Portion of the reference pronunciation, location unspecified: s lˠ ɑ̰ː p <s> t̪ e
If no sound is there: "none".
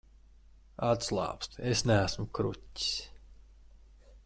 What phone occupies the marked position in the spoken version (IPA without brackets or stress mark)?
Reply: s